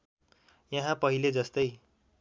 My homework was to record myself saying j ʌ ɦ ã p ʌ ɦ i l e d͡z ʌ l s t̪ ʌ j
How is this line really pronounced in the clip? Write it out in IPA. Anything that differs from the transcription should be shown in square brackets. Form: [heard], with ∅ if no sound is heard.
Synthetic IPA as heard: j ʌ ɦ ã p ʌ ɦ i l e d͡z ʌ [∅] s t̪ ʌ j